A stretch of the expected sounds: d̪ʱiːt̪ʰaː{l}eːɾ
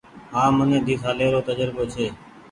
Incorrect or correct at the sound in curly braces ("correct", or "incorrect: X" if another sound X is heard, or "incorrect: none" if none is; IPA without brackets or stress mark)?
correct